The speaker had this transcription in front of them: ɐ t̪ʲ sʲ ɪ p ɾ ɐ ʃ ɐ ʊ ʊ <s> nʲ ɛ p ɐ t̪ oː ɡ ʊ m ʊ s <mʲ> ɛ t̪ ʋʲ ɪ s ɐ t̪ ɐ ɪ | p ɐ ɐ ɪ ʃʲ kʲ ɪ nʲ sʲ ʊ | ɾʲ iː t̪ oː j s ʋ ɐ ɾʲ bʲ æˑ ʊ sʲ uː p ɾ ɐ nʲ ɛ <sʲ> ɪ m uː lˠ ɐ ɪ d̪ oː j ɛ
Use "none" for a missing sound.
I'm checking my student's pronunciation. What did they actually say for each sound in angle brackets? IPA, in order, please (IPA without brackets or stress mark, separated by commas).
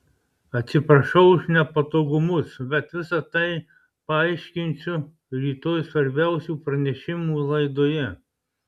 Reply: ʃ, bʲ, ʃʲ